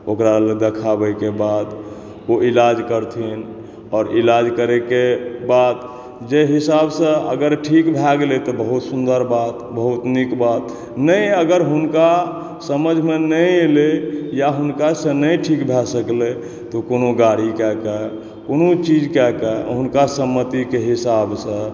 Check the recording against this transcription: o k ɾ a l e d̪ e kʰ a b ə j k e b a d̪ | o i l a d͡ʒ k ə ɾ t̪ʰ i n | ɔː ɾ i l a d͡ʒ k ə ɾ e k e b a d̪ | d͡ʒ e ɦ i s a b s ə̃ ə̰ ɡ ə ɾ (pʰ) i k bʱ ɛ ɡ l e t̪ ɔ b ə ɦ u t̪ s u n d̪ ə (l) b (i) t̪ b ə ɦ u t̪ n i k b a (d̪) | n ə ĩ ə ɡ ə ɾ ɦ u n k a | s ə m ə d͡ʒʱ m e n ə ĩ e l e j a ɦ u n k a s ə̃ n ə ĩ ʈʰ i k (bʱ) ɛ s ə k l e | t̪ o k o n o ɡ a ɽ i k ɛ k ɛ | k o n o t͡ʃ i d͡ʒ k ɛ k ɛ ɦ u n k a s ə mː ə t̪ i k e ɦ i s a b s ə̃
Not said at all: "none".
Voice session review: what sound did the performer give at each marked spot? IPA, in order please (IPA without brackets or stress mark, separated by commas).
ʈʰ, ɾ, a, t̪, bʱ